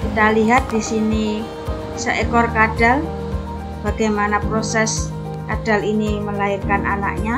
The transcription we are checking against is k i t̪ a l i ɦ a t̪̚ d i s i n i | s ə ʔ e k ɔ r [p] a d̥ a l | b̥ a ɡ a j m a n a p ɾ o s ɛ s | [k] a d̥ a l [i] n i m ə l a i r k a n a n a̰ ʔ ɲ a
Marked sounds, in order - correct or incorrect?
incorrect, correct, correct

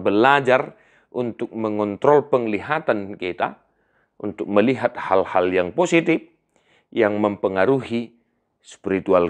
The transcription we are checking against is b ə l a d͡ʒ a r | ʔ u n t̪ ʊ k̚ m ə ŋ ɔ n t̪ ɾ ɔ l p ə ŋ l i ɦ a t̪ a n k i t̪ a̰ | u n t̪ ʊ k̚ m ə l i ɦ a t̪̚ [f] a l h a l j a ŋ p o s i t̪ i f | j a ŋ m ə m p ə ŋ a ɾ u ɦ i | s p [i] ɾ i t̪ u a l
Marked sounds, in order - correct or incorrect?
incorrect, correct

